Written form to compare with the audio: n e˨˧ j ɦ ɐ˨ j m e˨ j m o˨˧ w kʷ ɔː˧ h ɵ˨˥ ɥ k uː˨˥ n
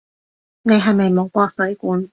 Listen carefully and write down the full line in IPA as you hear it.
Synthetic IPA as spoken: n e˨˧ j ɦ ɐ˨ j m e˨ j m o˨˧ w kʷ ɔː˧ s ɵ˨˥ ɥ k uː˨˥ n

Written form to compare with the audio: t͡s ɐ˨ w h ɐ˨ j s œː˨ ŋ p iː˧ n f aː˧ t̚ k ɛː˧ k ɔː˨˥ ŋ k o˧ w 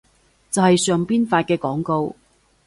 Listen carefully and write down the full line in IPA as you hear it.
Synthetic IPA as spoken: t͡s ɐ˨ w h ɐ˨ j s œː˨ ŋ p iː˥ n f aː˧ t̚ k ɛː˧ k ɔː˨˥ ŋ k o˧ w

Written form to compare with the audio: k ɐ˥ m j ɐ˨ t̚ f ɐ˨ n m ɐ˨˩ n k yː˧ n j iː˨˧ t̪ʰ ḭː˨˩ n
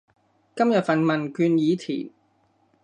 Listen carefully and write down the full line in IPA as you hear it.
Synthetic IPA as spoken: k ɐ˥ m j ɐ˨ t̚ f ɐ˨ n m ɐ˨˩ n k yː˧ n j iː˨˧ t̪ʰ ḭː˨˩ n

